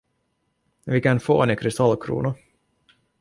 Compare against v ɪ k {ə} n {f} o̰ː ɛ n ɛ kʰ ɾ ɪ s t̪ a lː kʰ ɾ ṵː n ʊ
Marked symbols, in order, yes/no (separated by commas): no, yes